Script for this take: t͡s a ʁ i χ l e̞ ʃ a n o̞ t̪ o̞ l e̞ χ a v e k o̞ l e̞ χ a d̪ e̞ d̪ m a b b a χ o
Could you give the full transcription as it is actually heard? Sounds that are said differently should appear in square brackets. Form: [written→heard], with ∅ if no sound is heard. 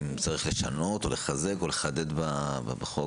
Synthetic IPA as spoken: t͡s a ʁ i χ l e̞ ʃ a n o̞ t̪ o̞ l e̞ χ a [v→z] e k o̞ l e̞ χ a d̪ e̞ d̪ [m→b] a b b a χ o